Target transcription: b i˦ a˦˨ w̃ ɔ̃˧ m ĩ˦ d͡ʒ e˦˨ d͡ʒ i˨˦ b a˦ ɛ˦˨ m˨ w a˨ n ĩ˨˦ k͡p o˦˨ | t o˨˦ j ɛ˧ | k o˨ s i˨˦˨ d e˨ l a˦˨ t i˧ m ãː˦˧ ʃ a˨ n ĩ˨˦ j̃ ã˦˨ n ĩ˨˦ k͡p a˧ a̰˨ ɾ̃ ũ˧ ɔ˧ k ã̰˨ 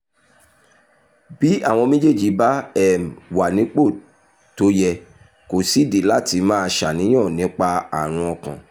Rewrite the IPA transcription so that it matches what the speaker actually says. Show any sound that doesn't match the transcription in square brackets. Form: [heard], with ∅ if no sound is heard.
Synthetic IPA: b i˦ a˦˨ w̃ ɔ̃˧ m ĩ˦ d͡ʒ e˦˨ d͡ʒ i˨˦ b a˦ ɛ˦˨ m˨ w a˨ n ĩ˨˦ k͡p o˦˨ | t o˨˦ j ɛ˧ | k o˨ s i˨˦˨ d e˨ l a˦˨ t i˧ m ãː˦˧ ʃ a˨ n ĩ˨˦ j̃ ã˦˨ n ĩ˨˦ k͡p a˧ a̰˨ ɾ̃ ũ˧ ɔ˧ k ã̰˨